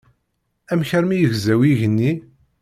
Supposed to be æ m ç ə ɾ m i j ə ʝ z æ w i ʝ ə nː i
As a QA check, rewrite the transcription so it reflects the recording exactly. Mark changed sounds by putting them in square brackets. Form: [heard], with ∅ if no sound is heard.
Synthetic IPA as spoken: æ m ç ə ɾ m i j ə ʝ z æ w i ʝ ə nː i